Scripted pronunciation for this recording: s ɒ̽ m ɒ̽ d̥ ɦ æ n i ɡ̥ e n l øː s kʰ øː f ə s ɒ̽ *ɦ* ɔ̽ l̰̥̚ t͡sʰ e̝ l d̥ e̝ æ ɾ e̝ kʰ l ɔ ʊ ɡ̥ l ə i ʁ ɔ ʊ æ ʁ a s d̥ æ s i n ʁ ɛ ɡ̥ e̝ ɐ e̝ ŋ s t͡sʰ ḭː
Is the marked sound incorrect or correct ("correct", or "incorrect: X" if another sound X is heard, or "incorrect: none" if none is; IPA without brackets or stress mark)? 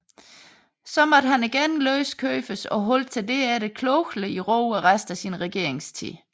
correct